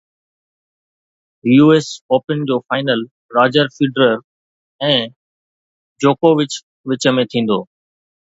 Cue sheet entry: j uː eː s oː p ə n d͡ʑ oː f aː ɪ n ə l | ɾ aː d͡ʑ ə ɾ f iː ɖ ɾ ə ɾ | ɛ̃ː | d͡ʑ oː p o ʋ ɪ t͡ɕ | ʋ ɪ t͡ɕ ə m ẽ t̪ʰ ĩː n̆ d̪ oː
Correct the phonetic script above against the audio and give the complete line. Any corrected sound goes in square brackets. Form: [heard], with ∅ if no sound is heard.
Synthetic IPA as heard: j uː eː s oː p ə n d͡ʑ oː f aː ɪ n ə l | ɾ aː d͡ʑ ə ɾ f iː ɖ ɾ ə ɾ | ɛ̃ː | d͡ʑ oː [k] o ʋ ɪ t͡ɕ | ʋ ɪ t͡ɕ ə m ẽ t̪ʰ ĩː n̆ d̪ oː